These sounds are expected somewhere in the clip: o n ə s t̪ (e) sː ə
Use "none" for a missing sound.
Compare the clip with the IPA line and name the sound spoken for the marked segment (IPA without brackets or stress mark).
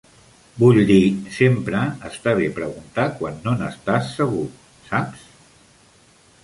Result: a